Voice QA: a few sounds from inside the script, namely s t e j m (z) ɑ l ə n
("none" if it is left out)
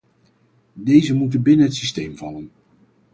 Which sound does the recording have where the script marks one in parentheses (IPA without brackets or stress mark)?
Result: v